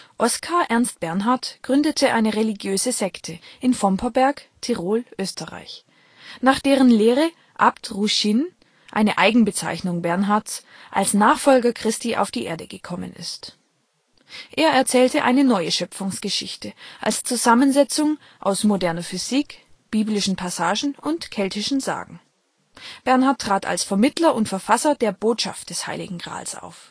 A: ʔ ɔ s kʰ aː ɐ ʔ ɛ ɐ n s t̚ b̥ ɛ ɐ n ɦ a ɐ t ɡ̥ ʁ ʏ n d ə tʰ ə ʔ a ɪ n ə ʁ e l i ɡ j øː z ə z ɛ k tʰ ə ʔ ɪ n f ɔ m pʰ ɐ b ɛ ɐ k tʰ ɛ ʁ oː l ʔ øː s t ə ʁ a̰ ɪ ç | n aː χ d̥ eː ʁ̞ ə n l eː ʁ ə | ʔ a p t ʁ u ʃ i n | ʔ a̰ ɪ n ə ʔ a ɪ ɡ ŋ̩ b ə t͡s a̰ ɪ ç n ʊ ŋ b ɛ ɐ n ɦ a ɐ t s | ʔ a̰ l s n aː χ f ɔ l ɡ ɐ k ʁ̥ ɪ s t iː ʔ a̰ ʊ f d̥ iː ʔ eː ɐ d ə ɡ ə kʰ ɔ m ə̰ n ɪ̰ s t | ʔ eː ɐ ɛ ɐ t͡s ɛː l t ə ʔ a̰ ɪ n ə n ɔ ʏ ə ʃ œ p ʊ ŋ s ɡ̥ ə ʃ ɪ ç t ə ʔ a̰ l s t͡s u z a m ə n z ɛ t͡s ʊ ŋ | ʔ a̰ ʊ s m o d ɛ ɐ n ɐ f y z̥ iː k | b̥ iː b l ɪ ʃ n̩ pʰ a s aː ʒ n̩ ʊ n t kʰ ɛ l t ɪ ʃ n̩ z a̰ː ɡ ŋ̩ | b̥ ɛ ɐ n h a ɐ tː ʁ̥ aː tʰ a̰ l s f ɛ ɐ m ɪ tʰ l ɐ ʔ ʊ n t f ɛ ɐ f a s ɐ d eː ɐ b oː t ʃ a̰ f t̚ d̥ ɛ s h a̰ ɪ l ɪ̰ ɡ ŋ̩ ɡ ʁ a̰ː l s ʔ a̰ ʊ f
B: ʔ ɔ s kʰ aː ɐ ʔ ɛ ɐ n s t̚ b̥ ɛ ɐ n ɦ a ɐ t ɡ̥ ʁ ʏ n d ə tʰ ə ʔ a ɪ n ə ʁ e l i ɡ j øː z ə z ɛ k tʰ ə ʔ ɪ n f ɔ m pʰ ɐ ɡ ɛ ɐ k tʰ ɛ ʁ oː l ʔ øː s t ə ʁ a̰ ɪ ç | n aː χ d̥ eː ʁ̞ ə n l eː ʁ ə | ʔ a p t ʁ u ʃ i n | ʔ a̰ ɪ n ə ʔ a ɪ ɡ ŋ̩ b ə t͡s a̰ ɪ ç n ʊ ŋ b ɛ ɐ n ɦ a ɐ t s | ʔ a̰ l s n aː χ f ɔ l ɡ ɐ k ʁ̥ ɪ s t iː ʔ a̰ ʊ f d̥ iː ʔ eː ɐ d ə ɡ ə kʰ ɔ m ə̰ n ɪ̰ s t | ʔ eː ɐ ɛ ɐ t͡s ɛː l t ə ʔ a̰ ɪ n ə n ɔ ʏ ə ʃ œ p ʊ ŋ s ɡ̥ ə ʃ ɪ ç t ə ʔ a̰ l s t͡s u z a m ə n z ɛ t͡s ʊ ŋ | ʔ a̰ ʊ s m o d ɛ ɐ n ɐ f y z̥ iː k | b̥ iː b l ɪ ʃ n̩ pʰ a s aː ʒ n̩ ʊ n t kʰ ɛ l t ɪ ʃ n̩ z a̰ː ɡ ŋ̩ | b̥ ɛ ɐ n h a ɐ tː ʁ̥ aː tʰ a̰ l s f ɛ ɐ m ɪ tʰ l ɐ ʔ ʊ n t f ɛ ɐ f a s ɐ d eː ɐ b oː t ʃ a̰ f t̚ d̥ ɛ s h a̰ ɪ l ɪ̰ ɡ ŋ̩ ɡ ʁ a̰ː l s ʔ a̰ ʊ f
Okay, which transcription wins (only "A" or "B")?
A